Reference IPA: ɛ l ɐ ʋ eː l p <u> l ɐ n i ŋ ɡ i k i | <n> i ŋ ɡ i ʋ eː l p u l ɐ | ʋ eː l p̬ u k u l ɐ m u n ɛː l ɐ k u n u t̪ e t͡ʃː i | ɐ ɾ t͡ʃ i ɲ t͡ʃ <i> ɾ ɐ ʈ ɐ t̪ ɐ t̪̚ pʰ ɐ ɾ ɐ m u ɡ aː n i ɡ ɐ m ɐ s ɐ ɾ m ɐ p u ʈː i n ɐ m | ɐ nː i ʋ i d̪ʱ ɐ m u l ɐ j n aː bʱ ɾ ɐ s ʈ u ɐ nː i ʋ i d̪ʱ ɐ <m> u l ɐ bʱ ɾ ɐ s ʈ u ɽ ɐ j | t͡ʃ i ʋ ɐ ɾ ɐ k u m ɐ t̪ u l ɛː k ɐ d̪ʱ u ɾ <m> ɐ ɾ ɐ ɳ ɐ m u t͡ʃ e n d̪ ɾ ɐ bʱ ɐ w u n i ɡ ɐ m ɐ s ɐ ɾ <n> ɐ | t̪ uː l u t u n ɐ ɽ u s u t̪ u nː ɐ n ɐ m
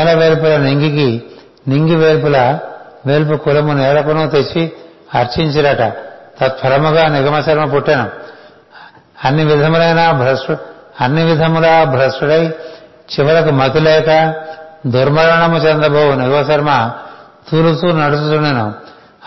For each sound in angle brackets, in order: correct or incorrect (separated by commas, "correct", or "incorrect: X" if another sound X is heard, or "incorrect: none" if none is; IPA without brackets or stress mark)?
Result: correct, correct, correct, correct, correct, incorrect: m